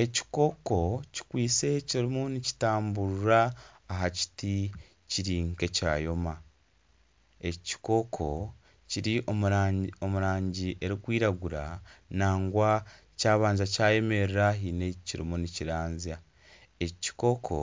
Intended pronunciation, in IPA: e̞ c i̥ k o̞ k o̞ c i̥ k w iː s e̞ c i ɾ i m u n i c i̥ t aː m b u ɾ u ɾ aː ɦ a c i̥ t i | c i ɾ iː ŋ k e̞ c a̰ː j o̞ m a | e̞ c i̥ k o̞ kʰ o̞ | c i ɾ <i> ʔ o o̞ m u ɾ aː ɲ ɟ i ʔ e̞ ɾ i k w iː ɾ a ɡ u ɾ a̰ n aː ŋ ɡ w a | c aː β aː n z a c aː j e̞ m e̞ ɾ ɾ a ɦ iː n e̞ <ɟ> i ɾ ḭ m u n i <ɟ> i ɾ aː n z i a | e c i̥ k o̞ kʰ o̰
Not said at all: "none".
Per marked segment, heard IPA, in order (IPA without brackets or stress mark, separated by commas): i, c, c